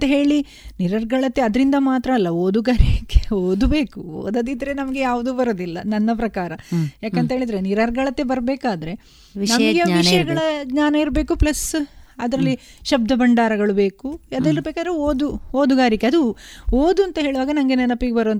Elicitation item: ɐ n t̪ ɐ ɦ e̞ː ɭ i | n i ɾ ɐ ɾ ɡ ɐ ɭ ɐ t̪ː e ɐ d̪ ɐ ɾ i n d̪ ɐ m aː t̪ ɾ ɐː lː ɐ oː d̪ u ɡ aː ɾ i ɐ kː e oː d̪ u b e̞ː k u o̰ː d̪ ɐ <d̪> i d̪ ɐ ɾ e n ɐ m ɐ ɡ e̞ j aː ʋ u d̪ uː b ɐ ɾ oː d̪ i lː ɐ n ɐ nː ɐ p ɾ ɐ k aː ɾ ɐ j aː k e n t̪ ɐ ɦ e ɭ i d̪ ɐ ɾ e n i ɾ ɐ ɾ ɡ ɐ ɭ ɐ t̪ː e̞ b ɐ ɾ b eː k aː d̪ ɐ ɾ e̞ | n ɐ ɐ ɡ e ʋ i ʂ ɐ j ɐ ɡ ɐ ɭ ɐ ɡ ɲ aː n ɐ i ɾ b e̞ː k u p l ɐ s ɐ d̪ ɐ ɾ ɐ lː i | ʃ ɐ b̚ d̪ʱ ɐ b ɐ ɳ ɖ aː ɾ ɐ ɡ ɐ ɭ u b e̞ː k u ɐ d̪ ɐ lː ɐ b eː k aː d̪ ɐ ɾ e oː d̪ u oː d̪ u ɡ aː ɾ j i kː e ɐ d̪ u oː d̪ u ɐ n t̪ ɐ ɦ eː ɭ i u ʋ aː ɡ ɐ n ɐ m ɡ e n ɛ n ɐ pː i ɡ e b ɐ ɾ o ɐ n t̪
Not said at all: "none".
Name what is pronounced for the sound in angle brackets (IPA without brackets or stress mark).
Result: d̪